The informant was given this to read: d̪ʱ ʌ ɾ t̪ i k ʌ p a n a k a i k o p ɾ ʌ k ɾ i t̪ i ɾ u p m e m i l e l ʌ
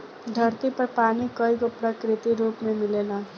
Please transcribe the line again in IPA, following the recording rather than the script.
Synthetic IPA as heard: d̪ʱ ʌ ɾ t̪ i p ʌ p a n i k ʌ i k o p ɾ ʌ k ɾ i t̪ i ɾ u p m e m i l e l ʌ